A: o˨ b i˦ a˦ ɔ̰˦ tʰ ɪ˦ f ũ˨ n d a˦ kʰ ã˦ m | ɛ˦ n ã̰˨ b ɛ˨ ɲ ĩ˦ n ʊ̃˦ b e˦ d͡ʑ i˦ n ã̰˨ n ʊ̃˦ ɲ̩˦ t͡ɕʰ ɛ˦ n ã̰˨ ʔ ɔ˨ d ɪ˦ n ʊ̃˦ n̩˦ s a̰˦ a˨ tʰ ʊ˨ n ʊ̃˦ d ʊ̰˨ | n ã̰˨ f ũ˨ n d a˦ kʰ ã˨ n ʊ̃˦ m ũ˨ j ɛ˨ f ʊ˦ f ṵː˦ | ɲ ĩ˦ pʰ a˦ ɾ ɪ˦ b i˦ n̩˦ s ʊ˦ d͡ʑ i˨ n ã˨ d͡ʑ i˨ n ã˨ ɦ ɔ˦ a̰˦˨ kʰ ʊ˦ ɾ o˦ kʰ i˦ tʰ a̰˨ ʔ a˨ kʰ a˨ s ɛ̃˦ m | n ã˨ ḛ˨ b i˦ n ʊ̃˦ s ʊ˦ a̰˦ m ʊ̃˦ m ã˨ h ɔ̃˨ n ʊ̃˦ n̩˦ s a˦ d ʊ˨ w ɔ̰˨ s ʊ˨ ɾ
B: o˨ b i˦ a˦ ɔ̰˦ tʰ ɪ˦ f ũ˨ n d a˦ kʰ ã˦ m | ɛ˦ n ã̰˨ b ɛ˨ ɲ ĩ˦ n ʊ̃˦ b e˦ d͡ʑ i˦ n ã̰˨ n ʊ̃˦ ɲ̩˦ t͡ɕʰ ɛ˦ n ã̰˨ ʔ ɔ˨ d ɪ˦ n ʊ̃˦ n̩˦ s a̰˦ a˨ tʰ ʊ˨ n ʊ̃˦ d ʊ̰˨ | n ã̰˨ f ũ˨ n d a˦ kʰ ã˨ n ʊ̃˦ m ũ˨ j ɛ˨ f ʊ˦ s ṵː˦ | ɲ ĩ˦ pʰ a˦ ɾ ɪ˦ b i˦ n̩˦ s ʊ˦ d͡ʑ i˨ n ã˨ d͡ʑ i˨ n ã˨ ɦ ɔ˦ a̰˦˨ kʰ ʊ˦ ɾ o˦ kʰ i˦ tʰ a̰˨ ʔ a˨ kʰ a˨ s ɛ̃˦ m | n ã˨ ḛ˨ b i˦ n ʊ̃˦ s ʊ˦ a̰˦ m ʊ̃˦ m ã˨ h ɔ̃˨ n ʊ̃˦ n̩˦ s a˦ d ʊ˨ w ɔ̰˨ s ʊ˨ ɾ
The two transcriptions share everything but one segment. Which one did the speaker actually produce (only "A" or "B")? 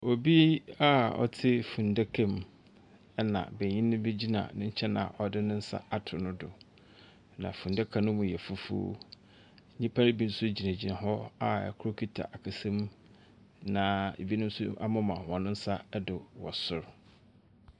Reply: A